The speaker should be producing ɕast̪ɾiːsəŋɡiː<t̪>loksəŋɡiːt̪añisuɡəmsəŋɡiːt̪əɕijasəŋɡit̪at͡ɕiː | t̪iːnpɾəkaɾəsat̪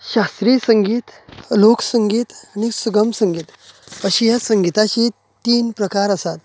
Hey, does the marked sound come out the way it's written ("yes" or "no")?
yes